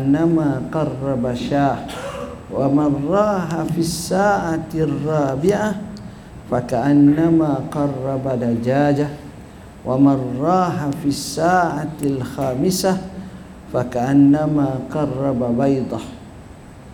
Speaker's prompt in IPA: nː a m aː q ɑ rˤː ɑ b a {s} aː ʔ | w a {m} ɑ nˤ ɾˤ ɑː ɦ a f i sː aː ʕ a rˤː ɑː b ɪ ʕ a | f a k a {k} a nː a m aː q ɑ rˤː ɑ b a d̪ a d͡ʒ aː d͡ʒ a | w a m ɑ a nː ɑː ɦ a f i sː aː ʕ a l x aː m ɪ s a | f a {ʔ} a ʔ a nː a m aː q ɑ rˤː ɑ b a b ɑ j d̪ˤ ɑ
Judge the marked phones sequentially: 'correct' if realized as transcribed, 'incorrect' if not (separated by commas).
incorrect, correct, incorrect, incorrect